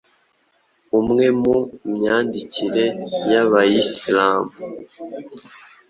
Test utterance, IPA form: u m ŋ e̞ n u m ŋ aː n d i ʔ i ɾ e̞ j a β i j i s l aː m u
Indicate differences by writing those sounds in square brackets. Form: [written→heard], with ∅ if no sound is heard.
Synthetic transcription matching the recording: u m ŋ e̞ [n→m] u m [ŋ→ɲ] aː n d i [ʔ→c] i ɾ e̞ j a β [i→a] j i s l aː m u